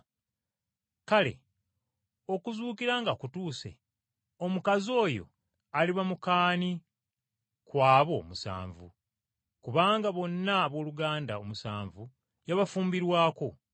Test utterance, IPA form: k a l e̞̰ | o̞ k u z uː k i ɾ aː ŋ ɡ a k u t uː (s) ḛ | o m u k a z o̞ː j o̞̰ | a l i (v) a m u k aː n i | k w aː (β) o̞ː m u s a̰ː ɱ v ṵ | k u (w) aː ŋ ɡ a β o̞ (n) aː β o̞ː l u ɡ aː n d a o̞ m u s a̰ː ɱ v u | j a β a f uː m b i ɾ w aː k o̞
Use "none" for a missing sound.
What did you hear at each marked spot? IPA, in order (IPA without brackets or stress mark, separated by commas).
s, β, β, β, nː